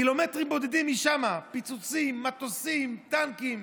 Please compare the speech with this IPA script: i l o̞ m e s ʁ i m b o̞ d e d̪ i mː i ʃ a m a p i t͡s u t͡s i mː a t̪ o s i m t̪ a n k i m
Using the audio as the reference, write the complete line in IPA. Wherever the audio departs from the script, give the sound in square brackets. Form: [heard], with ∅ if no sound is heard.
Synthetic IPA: i l o̞ m e [t] ʁ i m b o̞ d e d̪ i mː i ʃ a m a p i t͡s u t͡s i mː a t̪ o s i m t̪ a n k i m